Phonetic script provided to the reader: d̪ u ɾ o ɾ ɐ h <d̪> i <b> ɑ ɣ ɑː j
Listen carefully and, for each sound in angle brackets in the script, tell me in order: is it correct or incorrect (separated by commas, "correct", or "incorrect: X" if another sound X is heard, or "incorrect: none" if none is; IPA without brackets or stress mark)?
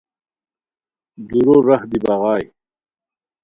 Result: correct, correct